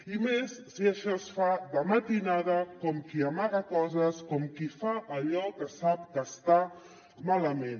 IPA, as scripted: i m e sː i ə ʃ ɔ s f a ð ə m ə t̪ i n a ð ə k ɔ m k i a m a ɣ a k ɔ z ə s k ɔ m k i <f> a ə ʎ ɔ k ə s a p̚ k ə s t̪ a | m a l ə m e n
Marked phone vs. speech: correct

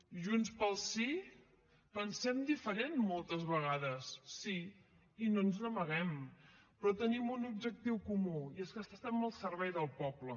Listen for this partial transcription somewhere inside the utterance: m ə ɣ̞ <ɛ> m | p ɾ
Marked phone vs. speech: correct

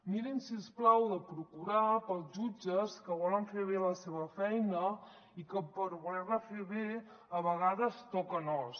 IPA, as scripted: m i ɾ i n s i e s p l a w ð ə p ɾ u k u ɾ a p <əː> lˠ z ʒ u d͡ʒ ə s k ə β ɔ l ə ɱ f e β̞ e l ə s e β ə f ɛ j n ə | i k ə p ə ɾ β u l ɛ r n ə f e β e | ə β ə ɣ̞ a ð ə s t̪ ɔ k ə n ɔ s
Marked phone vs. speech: incorrect: ə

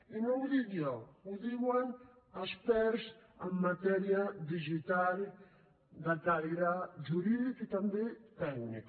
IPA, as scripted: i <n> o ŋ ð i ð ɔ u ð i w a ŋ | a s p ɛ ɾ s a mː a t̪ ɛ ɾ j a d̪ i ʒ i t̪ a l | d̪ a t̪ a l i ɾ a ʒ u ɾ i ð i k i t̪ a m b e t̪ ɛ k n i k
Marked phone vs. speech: correct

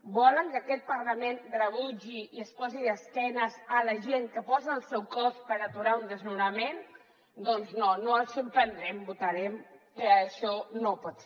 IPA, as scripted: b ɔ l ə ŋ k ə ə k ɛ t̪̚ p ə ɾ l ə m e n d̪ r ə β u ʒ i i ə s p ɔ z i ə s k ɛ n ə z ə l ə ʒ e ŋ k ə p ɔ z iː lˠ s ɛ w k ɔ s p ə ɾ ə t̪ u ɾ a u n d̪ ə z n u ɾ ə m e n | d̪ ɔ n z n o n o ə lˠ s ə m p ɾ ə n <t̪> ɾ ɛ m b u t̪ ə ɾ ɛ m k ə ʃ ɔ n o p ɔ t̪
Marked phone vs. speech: incorrect: d̪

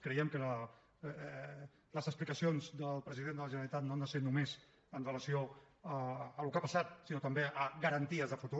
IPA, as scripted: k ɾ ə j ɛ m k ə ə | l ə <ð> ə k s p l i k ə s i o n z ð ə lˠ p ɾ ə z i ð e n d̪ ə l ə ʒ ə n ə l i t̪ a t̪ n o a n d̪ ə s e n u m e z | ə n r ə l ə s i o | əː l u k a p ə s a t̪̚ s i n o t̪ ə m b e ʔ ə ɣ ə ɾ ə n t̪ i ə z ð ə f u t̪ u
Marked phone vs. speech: incorrect: z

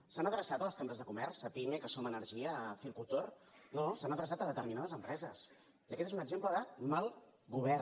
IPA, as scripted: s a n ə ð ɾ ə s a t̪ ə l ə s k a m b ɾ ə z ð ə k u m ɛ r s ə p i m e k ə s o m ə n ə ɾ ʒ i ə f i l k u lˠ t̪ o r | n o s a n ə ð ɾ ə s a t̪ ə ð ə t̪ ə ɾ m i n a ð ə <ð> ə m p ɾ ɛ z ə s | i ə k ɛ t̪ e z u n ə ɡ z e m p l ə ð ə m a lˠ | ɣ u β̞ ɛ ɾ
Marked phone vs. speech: incorrect: z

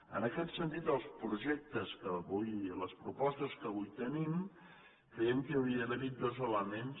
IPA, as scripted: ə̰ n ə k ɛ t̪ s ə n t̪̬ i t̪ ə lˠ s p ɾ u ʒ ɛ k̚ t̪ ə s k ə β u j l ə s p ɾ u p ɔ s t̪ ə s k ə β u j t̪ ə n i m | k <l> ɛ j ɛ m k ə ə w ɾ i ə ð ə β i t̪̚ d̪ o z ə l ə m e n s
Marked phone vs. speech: incorrect: ɾ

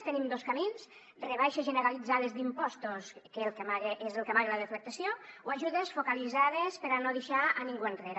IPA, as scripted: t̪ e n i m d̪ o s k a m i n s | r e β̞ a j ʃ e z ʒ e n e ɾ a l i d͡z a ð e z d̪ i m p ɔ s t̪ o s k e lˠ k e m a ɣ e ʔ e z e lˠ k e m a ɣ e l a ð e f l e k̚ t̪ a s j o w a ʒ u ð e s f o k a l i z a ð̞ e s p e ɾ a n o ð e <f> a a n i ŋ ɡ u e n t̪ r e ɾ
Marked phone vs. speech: incorrect: ʃ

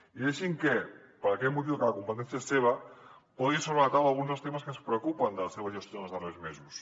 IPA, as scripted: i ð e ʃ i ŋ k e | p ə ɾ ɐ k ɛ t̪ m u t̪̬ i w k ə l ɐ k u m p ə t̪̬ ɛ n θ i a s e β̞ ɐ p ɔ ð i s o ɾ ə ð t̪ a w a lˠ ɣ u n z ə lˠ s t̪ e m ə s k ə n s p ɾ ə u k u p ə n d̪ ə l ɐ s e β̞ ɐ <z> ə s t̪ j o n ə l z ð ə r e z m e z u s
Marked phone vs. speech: incorrect: ʒ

